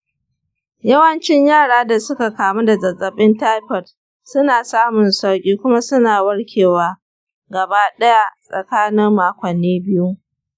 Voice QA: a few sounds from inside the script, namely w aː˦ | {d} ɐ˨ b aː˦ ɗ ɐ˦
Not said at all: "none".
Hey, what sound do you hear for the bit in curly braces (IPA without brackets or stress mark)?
ɡ